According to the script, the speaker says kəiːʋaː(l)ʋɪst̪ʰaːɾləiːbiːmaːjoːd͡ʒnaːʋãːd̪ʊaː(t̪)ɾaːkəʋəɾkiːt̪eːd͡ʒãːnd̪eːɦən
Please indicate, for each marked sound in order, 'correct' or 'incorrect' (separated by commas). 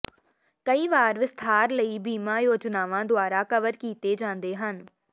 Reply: incorrect, incorrect